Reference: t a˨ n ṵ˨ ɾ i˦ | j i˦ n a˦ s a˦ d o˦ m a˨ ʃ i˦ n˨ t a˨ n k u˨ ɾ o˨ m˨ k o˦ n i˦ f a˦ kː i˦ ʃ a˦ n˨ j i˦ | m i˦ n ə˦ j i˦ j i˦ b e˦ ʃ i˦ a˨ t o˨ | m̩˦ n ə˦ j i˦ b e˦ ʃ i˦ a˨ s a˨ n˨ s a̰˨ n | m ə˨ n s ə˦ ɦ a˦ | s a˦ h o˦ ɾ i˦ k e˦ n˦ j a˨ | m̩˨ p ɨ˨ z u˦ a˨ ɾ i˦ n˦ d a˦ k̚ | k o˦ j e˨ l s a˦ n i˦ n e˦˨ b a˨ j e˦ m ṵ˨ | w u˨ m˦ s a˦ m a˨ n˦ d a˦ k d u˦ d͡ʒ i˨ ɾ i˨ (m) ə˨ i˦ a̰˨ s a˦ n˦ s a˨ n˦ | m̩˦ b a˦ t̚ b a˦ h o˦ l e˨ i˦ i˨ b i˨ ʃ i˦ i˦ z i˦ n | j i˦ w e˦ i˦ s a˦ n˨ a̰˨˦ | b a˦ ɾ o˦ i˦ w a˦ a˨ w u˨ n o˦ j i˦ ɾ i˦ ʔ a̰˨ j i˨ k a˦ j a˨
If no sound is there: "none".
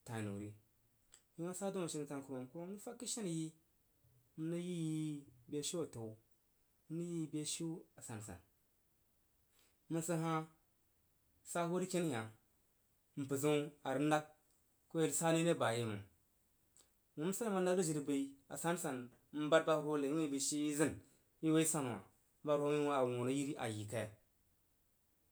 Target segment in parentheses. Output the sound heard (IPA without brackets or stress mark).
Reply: b